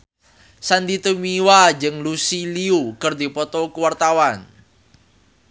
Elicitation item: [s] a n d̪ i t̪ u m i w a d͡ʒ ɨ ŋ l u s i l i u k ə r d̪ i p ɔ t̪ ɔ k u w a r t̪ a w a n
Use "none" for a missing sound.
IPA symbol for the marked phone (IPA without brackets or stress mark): s